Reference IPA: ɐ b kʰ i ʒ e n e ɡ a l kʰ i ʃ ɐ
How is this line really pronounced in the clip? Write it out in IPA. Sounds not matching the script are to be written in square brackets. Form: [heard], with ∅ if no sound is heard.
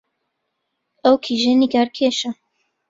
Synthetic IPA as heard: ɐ [w] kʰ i ʒ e n [i] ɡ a [ɾ] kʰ [e] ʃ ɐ